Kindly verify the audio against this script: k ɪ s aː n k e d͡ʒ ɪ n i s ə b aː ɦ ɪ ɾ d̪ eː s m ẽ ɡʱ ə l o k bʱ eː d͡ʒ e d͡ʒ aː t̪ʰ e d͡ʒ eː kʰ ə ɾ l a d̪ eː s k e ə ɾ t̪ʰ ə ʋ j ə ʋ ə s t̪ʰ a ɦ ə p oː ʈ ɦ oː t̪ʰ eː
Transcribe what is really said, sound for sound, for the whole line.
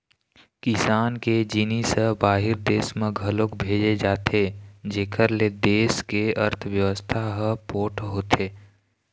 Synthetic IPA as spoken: k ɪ s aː n k e d͡ʒ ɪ n i s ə b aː ɦ ɪ ɾ d̪ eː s m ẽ ɡʱ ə l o k bʱ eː d͡ʒ e d͡ʒ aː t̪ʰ e d͡ʒ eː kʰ ə ɾ l e d̪ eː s k e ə ɾ t̪ʰ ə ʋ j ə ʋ ə s t̪ʰ a ɦ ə p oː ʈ ɦ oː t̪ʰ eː